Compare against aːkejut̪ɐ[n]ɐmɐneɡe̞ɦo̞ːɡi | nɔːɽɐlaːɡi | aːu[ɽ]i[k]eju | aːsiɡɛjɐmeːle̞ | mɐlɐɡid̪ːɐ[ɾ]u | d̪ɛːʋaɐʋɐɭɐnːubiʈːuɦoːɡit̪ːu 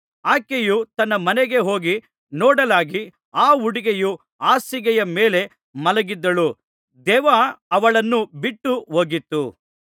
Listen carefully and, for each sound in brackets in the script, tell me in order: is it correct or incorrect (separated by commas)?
incorrect, correct, incorrect, incorrect